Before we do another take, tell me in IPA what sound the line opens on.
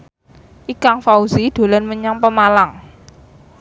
ʔ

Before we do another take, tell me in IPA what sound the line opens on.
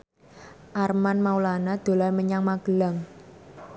ʔ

